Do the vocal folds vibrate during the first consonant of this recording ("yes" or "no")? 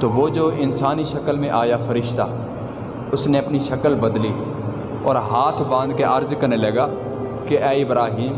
no